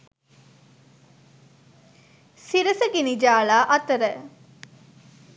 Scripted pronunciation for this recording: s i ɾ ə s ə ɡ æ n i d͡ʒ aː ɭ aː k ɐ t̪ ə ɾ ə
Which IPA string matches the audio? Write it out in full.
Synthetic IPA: s i ɾ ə s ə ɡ i n i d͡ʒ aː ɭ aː ʔ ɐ t̪ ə ɾ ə